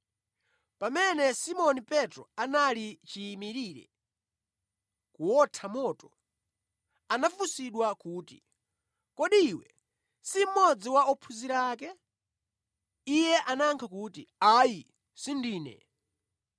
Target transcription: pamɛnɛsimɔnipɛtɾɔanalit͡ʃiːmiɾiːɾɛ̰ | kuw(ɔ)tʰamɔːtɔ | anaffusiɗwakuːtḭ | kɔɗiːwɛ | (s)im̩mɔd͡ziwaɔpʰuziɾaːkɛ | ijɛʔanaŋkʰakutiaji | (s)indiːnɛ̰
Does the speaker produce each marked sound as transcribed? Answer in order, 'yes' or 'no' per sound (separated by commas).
yes, yes, yes